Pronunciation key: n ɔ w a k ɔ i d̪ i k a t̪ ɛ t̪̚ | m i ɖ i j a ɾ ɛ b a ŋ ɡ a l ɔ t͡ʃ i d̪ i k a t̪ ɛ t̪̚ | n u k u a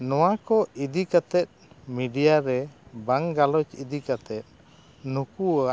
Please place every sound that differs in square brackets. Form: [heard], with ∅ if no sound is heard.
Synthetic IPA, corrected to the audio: n ɔ w a k ɔ i d̪ i k a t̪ ɛ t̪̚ | m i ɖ i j a ɾ ɛ b a ŋ ɡ a l ɔ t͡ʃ i d̪ i k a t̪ ɛ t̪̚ | n u k u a